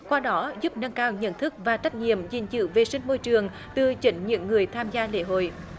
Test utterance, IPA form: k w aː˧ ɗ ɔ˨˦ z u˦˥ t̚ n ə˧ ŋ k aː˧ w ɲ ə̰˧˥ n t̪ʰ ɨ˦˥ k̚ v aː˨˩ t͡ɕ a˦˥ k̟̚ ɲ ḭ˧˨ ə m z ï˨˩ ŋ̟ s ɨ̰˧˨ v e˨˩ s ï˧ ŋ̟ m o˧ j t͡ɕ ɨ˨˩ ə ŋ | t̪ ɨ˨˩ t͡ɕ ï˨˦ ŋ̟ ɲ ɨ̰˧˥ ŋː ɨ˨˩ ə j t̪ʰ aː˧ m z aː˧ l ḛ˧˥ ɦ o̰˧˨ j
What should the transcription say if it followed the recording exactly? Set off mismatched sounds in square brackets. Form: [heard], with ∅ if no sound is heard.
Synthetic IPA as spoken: k w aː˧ ɗ ɔ˨˦ z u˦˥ [p̚] n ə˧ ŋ k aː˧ w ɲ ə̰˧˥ n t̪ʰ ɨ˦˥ k̚ v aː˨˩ t͡ɕ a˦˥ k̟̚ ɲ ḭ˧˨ ə m z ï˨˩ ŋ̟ [z] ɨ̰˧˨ v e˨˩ s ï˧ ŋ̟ m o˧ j t͡ɕ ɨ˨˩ ə ŋ | t̪ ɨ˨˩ t͡ɕ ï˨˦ ŋ̟ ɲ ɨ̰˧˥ ŋː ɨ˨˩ ə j t̪ʰ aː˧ m z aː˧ l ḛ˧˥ ɦ o̰˧˨ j